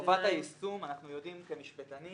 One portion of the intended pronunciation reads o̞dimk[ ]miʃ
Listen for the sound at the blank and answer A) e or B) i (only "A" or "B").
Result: A